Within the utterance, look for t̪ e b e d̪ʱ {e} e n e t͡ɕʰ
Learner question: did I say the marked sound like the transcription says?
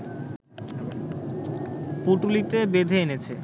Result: yes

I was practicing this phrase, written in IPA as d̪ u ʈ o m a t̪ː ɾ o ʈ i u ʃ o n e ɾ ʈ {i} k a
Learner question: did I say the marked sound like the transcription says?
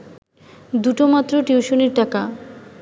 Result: no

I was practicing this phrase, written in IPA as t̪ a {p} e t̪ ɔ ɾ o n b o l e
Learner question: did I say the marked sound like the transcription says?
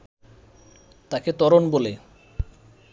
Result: no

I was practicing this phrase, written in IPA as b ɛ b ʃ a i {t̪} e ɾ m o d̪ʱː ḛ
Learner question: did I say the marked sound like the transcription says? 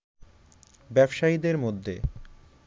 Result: no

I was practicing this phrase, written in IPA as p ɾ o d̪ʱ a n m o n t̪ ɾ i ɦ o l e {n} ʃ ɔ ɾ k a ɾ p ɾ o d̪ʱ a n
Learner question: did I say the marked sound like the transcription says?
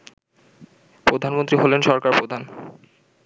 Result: yes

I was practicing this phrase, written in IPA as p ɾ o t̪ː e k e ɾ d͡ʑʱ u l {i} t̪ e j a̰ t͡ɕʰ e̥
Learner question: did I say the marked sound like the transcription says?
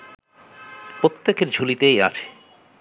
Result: yes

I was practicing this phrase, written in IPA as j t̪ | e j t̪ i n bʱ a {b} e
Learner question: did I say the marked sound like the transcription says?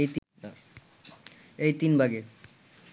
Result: no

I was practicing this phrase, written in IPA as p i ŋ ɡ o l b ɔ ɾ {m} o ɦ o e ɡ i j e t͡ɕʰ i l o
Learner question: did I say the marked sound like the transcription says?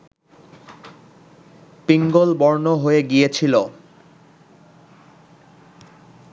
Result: no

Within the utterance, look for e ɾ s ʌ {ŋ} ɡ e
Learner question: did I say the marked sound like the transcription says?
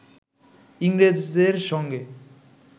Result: yes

